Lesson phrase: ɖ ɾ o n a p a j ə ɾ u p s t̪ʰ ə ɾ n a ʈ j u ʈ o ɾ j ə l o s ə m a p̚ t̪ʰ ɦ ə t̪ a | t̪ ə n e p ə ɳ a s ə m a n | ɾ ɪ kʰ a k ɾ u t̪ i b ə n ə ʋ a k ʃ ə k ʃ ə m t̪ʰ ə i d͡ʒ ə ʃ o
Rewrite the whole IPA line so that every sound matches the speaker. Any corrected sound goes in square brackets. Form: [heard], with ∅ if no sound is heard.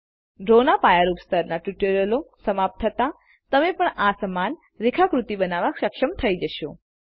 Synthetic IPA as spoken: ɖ ɾ o n a p a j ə ɾ u p s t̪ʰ ə ɾ n a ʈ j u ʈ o ɾ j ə l o s ə m a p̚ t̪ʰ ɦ ə t̪ a | t̪ ə [m] e p ə ɳ a s ə m a n | ɾ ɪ kʰ a k ɾ u t̪ i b ə n [a] ʋ a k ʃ ə k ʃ ə m t̪ʰ ə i d͡ʒ ə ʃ o